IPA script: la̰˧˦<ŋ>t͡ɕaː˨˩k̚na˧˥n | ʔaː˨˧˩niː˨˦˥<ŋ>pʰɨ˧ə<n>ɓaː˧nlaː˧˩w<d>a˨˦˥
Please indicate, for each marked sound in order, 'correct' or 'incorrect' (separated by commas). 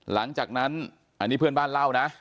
correct, incorrect, correct, incorrect